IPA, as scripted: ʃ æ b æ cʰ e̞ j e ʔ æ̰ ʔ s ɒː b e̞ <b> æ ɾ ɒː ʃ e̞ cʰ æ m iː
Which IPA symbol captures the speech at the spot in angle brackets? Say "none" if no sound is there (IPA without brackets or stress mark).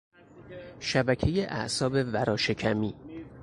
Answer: v